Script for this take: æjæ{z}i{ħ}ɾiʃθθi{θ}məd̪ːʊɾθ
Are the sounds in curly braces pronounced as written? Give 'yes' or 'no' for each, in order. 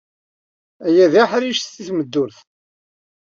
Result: no, yes, yes

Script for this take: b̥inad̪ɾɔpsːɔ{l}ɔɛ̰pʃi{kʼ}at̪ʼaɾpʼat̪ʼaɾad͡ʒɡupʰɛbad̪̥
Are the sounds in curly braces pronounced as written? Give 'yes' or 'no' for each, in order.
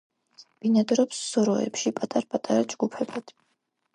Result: no, no

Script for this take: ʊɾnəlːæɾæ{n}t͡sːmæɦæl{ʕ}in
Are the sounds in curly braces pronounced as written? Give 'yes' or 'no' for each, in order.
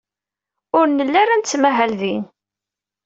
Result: yes, no

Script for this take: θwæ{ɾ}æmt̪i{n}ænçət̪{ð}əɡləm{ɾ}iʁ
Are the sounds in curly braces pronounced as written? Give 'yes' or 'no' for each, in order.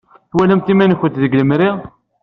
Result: no, no, yes, yes

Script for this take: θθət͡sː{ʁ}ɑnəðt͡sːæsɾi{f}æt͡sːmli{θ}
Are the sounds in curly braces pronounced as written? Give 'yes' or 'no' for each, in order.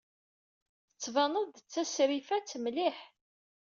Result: no, yes, no

